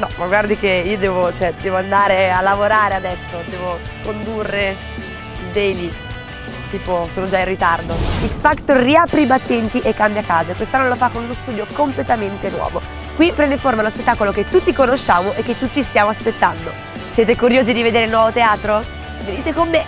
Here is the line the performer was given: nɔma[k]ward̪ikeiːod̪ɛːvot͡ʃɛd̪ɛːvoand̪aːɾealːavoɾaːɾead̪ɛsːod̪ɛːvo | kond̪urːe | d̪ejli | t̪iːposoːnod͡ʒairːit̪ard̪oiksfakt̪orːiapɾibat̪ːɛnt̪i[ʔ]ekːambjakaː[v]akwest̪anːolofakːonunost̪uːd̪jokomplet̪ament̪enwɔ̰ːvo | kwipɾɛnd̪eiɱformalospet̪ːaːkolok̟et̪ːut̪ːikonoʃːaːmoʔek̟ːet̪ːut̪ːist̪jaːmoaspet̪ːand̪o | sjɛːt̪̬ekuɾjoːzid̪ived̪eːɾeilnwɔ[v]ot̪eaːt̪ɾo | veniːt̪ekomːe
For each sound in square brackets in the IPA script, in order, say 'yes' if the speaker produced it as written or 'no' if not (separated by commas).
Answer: no, yes, no, yes